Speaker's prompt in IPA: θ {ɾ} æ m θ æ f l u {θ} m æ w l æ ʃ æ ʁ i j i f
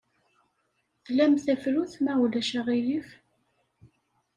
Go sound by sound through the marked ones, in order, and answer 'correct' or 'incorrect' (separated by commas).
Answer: incorrect, correct